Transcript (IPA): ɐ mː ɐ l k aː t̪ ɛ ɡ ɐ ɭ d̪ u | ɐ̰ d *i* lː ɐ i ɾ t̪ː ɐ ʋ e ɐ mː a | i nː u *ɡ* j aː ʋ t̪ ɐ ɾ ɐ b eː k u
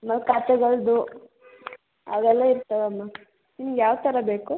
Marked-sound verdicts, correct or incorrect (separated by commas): incorrect, correct